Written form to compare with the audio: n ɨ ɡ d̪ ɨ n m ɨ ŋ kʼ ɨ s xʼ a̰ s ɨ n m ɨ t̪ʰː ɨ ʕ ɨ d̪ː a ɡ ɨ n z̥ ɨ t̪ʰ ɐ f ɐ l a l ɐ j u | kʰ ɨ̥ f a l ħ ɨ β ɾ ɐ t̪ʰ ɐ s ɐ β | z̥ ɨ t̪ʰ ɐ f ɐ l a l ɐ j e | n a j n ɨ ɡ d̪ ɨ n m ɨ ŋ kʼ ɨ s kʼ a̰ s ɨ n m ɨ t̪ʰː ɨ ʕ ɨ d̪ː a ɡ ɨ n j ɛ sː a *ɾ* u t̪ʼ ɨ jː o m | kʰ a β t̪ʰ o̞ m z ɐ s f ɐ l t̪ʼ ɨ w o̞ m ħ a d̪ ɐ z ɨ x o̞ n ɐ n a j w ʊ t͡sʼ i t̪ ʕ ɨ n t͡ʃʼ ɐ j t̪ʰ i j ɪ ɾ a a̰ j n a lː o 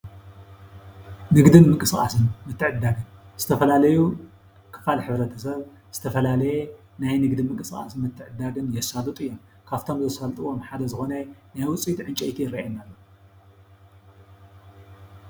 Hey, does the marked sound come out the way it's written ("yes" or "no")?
no